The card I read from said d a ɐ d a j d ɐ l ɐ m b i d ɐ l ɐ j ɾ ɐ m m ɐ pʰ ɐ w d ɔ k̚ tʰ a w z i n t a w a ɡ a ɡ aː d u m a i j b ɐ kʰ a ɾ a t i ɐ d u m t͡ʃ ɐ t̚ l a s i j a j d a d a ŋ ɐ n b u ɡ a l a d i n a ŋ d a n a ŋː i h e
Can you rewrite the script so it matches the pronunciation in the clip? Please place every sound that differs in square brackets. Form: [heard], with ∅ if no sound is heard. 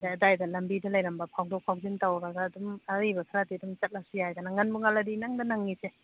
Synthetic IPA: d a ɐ d a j d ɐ l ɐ m b i d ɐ l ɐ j ɾ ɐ m [b] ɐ pʰ [a] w d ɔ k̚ [pʰ] a w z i n t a w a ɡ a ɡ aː d u m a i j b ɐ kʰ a ɾ a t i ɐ d u m t͡ʃ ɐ t̚ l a s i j a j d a [n] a ŋ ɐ n b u [ŋ] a l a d i n a ŋ d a n a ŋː i [s] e